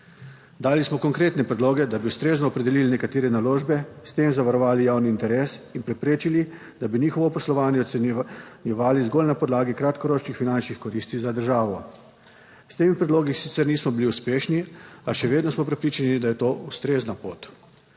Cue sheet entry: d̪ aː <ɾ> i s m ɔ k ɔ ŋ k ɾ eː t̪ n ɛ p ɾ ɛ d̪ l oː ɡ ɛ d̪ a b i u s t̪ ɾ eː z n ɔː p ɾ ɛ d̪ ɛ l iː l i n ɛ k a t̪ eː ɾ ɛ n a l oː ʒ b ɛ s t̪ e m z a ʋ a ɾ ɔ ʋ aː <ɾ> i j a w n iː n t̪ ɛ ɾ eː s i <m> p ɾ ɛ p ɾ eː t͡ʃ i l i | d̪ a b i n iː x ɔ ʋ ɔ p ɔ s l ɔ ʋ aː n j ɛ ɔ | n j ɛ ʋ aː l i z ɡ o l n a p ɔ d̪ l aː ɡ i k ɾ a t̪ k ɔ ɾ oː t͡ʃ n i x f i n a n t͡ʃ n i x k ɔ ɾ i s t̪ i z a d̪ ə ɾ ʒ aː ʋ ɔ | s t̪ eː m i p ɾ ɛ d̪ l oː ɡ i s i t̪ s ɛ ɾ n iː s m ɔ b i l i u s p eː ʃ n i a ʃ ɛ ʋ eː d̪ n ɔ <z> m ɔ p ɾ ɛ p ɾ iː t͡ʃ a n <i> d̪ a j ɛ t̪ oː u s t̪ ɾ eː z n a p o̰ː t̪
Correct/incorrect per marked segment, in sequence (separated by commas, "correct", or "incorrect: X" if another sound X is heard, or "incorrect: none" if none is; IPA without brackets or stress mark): incorrect: l, incorrect: l, incorrect: n, incorrect: s, correct